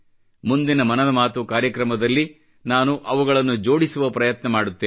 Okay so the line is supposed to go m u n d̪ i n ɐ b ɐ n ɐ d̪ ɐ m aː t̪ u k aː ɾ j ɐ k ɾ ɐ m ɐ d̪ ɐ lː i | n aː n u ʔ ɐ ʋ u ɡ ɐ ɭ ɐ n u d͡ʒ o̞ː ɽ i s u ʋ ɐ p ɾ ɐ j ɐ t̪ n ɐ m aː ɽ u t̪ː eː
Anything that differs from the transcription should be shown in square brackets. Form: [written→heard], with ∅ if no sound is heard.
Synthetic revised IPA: m u n d̪ i n ɐ [b→m] ɐ n ɐ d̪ ɐ m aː t̪ u k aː ɾ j ɐ k ɾ ɐ m ɐ d̪ ɐ lː i | n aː n u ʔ ɐ ʋ u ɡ ɐ ɭ ɐ [n→nː] u d͡ʒ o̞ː ɽ i s u ʋ ɐ p ɾ ɐ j ɐ t̪ n ɐ m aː ɽ u t̪ː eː